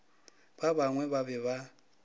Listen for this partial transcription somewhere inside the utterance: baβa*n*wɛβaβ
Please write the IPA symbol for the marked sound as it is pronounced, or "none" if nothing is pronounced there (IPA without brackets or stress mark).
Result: ŋ